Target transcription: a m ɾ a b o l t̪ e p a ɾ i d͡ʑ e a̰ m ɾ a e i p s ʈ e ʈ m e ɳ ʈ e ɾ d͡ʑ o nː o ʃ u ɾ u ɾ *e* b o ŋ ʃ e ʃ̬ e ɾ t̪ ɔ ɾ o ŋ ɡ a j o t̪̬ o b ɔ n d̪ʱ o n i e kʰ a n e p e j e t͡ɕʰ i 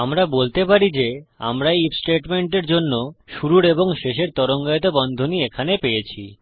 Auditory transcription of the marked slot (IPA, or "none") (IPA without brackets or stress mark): e